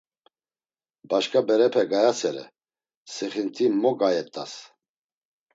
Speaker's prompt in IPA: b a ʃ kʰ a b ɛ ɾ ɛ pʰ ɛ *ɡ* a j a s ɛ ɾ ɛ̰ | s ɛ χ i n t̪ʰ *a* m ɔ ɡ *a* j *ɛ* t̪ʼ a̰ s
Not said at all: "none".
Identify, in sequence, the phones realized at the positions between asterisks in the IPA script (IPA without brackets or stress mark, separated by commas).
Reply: ɡ, i, a, ɛ